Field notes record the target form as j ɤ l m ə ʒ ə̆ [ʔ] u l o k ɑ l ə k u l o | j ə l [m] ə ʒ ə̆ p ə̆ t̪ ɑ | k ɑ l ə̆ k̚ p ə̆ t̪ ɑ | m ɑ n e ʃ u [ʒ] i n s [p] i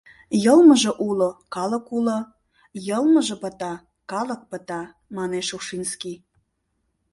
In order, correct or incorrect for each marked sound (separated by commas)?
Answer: correct, correct, incorrect, incorrect